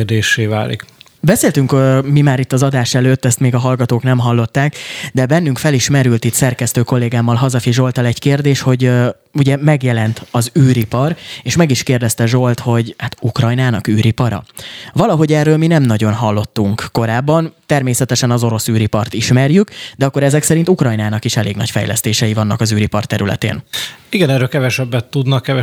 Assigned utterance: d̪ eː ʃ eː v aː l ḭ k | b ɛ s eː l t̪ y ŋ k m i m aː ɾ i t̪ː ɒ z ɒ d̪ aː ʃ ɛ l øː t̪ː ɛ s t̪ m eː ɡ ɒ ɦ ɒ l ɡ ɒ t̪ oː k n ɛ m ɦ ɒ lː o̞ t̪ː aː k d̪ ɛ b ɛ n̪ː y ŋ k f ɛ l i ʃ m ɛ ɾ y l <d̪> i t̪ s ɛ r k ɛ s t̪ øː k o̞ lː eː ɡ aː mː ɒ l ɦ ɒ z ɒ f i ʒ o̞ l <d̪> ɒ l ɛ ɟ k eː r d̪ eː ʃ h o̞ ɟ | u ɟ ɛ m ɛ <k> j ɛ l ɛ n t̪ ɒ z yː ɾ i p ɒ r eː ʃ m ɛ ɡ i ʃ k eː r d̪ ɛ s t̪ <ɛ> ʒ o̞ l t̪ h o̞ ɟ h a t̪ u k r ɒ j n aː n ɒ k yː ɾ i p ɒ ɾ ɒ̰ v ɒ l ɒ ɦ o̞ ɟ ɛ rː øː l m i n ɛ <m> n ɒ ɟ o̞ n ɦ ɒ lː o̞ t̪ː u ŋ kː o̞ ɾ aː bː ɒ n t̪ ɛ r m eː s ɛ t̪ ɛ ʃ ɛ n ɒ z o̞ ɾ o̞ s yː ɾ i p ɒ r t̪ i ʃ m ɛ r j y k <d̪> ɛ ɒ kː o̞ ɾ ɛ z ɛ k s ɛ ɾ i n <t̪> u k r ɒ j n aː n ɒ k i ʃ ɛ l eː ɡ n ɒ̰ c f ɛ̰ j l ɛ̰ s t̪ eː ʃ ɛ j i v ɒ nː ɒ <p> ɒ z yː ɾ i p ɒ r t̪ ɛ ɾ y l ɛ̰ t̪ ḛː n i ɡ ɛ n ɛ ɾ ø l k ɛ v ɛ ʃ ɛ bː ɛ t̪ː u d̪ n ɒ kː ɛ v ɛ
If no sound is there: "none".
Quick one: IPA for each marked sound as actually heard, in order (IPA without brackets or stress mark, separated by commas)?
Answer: t̪, t̪, ɡ, ɛ, m, d̪, t̪, k